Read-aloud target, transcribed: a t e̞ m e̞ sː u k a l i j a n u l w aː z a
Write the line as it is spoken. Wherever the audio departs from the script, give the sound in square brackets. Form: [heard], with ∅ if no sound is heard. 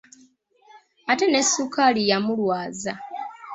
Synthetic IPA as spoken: a t e̞ [n] e̞ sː u k a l i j a [m] u l w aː z a